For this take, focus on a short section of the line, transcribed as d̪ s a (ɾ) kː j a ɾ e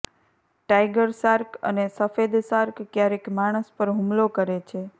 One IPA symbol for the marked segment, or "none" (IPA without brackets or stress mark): ɾ